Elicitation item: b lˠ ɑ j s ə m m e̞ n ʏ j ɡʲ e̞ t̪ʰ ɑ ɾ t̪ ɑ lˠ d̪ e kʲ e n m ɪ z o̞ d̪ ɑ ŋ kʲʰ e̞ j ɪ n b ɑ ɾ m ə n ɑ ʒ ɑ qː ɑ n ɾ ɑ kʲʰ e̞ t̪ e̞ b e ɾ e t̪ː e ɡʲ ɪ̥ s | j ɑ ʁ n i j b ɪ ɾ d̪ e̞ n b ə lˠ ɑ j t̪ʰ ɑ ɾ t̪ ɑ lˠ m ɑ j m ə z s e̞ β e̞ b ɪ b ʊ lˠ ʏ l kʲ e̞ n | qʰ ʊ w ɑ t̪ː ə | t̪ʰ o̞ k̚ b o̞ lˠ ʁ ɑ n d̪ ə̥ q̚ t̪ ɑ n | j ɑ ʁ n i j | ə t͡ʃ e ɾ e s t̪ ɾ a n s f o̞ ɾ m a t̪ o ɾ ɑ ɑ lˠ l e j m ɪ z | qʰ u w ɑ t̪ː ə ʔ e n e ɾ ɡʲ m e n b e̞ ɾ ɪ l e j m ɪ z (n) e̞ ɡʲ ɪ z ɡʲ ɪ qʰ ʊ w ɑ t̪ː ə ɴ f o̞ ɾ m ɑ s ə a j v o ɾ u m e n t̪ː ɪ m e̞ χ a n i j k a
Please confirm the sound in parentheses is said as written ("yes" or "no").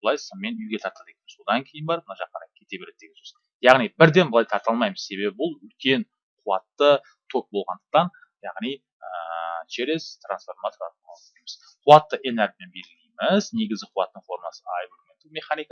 yes